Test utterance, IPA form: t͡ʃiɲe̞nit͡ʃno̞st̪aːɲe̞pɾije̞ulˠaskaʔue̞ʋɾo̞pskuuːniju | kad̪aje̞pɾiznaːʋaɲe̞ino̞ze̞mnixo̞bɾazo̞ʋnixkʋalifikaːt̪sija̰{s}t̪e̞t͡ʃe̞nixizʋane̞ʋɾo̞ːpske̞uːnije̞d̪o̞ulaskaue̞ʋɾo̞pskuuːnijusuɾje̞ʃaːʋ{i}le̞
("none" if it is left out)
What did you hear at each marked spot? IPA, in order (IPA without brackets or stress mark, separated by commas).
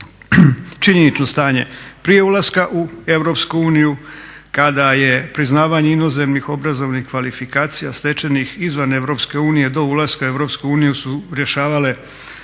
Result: s, a